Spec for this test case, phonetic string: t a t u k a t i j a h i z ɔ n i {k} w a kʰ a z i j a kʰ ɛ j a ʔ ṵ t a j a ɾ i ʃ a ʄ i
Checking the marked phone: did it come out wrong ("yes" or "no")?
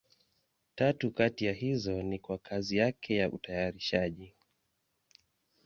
no